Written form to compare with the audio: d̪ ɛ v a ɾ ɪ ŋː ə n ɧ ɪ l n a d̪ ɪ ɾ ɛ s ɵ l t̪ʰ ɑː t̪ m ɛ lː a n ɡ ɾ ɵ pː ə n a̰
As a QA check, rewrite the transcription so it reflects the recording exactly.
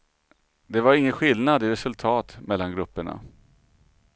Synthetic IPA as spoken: d̪ ɛ v a ɾ ɪ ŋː ə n ɧ ɪ l n a d̪ ɪ ɾ ɛ s ɵ l t̪ʰ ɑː t̪ m ɛ lː a n ɡ ɾ ɵ pː ə ɳ a̰

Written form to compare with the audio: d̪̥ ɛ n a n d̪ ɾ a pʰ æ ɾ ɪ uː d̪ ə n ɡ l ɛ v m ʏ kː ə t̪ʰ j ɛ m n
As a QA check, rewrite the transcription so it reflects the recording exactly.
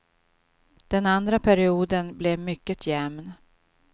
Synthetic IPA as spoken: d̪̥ ɛ n a n d̪ ɾ a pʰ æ ɾ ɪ uː d̪ ə n b l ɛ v m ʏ kː ə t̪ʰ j ɛ m n

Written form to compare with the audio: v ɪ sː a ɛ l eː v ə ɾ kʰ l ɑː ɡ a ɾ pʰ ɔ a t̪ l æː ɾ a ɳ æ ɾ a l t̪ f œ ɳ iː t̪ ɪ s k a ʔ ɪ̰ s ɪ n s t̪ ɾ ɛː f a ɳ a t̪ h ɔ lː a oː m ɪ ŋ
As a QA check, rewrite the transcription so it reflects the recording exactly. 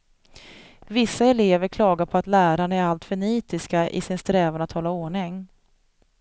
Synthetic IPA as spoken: v ɪ sː a ɛ l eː v ə ɾ kʰ l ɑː ɡ a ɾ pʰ ɔ a t̪ l æː ɾ a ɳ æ ɾ a l t̪ f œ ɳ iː t̪ ɪ s k a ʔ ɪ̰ s ɪ n s t̪ ɾ ɛː v a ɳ a t̪ h ɔ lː a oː ɳ ɪ ŋ

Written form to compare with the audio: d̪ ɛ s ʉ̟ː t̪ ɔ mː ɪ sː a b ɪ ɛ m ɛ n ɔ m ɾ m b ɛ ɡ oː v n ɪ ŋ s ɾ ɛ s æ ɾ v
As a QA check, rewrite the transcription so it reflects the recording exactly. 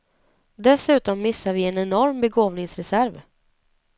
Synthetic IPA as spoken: d̪ ɛ s ʉ̟ː t̪ ɔ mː ɪ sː a v ɪ ɛ n ɛ n ɔ ɾ m b ɛ ɡ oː v n ɪ ŋ s ɾ ɛ s æ ɾ v

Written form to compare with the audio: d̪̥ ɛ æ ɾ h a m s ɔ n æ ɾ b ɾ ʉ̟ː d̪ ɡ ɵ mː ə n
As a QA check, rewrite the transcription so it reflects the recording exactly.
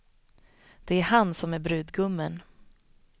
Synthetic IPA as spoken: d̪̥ ɛ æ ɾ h a n s ɔ m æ ɾ b ɾ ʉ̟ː d̪ ɡ ɵ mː ə n

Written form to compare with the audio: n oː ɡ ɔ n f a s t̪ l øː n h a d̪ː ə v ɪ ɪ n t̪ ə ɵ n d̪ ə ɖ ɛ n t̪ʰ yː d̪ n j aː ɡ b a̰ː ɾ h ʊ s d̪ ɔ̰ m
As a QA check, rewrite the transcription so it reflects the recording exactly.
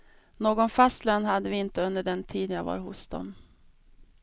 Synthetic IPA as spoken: n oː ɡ ɔ n f a s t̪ l øː n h a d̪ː ə v ɪ ɪ n t̪ ə ɵ n d̪ ə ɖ ɛ n t̪ʰ iː d̪ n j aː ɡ v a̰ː ɾ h ʊ s d̪ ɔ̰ m

